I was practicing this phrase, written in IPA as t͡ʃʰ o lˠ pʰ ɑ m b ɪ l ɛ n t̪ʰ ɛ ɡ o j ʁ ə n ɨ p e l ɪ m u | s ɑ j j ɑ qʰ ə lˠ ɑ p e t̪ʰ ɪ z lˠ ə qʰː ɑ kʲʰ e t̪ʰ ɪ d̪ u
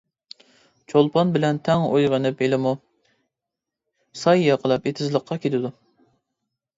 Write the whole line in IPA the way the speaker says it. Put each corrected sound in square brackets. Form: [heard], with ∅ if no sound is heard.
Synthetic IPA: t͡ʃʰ o lˠ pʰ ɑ [n] b ɪ l ɛ n t̪ʰ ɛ [ŋ] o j ʁ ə n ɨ p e l ɪ m u | s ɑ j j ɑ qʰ ə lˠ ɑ p e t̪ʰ ɪ z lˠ ə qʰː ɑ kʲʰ e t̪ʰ ɪ d̪ u